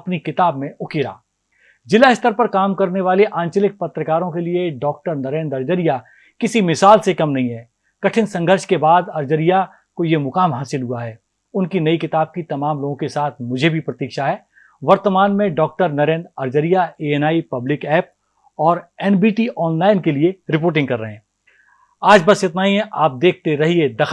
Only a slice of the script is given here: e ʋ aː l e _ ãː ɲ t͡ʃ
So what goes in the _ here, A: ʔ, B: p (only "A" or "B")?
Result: A